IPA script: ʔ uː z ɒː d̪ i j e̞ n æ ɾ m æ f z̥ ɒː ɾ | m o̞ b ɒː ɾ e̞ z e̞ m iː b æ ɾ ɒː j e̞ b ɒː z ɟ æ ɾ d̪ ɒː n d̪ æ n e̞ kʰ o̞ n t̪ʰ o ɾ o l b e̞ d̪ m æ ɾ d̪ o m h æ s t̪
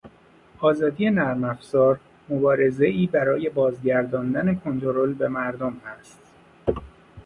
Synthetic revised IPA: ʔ ɒː z ɒː d̪ i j e̞ n æ ɾ m æ f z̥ ɒː ɾ | m o̞ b ɒː ɾ e̞ z e̞ iː b æ ɾ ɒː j e̞ b ɒː z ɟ æ ɾ d̪ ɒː n d̪ æ n e̞ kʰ o̞ n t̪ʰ o ɾ o l b e̞ m æ ɾ d̪ o m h æ s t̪

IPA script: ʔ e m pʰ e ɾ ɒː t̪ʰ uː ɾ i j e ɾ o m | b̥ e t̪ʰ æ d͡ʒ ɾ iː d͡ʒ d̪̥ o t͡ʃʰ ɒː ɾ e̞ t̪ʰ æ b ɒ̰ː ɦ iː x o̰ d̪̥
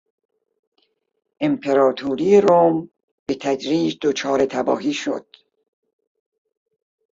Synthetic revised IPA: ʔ e m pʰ e ɾ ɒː t̪ʰ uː ɾ i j e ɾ o m | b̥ e t̪ʰ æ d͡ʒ ɾ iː d͡ʒ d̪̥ o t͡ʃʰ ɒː ɾ e̞ t̪ʰ æ b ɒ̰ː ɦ iː ʃ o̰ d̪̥

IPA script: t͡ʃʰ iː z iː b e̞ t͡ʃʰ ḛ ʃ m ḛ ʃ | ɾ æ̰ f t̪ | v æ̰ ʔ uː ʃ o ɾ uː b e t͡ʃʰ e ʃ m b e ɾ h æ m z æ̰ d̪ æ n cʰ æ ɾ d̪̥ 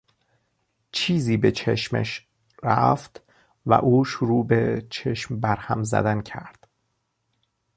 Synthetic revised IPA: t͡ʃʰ iː z iː b e̞ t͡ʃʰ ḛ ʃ m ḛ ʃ | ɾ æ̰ f t̪ | v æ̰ ʔ uː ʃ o ɾ uː b e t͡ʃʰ e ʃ m b æ ɾ h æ m z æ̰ d̪ æ n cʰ æ ɾ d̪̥

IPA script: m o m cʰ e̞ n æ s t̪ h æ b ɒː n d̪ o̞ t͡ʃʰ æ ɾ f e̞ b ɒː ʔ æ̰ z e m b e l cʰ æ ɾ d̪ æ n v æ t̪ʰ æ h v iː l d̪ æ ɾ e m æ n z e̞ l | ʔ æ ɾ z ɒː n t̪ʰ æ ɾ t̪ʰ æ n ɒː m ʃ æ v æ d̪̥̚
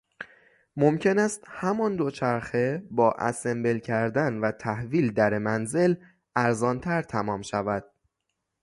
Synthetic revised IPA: m o m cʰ e̞ n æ s t̪ h æ m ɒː n d̪ o̞ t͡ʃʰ æ ɾ x e̞ b ɒː ʔ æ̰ s e m b e l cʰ æ ɾ d̪ æ n v æ t̪ʰ æ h v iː l d̪ æ ɾ e m æ n z e̞ l | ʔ æ ɾ z ɒː n t̪ʰ æ ɾ t̪ʰ æ m ɒː m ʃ æ v æ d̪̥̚

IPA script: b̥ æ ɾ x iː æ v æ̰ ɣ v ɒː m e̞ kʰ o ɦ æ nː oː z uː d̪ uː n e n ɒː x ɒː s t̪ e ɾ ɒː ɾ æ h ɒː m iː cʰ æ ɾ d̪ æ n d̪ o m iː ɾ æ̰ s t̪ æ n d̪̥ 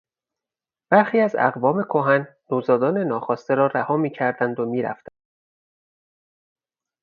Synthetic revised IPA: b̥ æ ɾ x iː æ z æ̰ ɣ v ɒː m e̞ kʰ o ɦ æ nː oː z ɒː d̪ ɒː n e n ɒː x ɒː s t̪ e ɾ ɒː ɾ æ h ɒː m iː cʰ æ ɾ d̪ æ n d̪ o m iː ɾ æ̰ f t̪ æ n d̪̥

